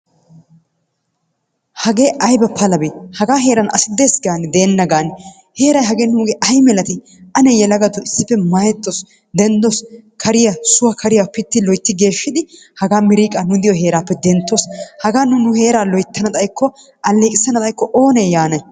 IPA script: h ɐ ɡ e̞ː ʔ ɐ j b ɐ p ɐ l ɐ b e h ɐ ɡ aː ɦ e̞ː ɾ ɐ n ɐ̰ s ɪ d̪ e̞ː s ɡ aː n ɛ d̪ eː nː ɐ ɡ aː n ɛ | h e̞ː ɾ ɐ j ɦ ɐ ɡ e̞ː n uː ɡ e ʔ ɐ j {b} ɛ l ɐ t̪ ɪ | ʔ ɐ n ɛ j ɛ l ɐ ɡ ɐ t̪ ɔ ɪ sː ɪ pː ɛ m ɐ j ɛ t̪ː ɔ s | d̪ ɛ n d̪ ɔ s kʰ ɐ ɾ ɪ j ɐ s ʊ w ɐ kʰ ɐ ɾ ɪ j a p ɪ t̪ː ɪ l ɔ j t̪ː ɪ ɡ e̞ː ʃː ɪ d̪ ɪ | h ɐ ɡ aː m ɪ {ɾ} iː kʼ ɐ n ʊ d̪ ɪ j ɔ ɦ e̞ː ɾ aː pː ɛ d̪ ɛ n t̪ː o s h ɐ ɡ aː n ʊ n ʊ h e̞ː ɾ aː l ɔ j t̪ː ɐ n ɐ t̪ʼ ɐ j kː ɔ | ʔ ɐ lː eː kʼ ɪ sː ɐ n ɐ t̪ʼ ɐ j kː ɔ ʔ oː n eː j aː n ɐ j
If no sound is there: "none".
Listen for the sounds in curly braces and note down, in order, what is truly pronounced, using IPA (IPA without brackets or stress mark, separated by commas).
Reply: m, ɾ